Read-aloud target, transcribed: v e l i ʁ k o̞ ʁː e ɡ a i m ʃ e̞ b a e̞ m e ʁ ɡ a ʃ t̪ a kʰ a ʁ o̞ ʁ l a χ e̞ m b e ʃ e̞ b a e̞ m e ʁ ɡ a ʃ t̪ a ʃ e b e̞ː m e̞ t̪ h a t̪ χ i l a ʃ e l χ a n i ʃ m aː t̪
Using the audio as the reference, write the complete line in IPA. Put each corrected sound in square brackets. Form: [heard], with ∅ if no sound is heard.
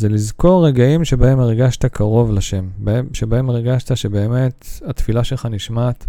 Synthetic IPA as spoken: [z] e l i [z] k o̞ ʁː e ɡ a i m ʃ e̞ b a e̞ m e ʁ ɡ a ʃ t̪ a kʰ a ʁ o̞ [v] l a [ʃ] e̞ m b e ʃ e̞ b a e̞ m e ʁ ɡ a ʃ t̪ a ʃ e b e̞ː m e̞ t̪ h a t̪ [f] i l a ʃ e l χ a n i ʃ m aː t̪